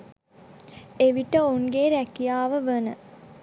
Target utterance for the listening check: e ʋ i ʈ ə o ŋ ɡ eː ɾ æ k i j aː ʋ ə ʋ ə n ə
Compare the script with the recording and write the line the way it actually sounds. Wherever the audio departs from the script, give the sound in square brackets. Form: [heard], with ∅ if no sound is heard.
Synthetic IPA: e ʋ i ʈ ə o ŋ ɡ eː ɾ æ k i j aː ʋ ə ʋ ə n ə